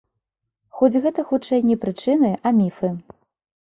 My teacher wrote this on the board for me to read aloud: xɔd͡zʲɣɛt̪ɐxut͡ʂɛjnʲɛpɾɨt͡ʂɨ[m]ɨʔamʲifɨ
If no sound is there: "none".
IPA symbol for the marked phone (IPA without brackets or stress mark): n